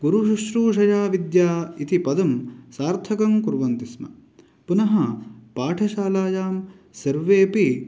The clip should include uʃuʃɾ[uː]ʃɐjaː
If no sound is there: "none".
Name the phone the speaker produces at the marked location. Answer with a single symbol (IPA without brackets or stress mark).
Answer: uː